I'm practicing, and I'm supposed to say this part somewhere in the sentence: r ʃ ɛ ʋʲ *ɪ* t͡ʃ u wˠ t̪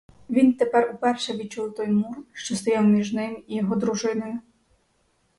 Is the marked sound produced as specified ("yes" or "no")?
no